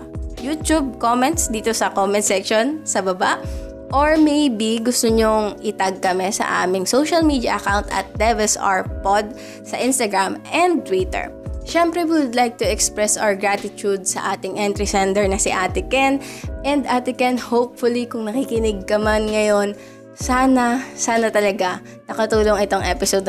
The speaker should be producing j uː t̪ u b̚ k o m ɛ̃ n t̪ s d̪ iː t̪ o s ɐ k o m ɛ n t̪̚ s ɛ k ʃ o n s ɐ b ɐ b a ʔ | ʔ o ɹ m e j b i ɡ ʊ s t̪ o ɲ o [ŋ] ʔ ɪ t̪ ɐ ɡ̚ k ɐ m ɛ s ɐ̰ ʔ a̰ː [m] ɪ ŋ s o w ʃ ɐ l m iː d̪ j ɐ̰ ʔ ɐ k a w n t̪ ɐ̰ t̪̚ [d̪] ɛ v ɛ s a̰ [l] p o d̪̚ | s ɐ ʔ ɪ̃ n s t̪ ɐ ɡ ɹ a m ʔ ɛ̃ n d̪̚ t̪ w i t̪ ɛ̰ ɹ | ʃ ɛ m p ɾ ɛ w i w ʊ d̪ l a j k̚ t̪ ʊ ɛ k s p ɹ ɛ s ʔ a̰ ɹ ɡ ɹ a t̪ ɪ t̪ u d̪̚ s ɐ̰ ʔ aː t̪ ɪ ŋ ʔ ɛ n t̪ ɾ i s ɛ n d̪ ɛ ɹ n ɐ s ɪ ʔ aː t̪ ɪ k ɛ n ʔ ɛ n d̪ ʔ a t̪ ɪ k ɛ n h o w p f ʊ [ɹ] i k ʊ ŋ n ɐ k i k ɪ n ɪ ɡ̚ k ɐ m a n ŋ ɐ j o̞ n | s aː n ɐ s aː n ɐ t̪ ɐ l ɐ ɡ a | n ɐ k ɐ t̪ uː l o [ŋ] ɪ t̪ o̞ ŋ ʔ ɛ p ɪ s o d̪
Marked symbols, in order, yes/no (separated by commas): yes, yes, yes, no, no, yes